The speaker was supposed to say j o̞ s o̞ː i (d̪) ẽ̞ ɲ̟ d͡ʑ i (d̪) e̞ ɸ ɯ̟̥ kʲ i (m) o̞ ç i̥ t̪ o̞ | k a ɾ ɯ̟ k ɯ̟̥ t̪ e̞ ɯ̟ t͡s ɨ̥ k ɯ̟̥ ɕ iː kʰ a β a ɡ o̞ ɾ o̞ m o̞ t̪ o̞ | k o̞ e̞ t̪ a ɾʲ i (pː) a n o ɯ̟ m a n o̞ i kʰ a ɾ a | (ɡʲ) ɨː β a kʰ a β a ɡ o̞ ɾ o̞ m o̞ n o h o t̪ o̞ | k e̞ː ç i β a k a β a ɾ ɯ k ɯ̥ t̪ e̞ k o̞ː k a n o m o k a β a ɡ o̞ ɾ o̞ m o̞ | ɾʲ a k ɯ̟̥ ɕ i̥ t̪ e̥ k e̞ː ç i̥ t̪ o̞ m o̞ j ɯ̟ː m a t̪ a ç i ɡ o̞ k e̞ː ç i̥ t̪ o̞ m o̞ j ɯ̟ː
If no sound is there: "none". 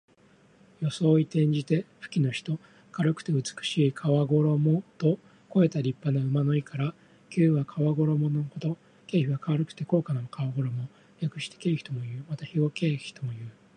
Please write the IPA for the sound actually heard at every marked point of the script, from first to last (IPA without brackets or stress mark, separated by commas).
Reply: t̪, t̪, n, pː, kʲ